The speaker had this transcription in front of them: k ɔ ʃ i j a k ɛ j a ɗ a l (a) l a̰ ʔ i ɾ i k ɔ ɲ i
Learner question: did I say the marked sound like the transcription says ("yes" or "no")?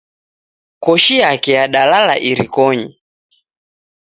yes